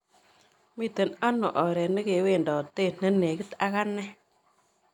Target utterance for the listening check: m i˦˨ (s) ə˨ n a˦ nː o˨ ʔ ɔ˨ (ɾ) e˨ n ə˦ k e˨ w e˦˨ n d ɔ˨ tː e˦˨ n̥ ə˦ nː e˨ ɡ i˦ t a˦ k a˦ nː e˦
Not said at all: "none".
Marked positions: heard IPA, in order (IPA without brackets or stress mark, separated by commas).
t, ɾ